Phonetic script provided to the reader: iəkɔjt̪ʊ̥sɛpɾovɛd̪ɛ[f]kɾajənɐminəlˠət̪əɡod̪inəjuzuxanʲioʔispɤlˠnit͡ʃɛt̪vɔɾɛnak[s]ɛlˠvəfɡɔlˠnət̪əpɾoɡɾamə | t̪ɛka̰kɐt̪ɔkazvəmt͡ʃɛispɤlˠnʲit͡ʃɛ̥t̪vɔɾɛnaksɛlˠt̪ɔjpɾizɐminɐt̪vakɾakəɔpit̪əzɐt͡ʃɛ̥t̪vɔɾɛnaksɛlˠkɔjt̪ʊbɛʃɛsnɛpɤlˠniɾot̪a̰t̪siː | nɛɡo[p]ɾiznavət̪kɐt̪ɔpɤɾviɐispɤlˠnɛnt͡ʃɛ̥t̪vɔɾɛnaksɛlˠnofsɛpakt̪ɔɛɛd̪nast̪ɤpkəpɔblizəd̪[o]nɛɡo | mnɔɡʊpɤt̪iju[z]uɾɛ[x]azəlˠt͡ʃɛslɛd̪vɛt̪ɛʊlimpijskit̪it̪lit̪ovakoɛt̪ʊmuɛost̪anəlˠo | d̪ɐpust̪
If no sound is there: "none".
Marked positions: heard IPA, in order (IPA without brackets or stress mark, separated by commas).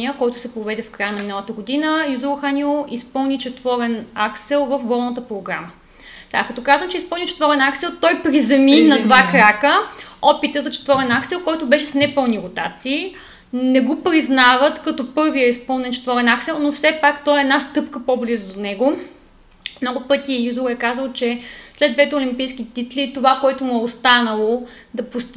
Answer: f, s, p, o, z, k